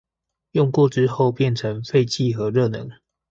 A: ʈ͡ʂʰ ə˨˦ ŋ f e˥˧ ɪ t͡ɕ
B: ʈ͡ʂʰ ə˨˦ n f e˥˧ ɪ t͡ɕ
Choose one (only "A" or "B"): A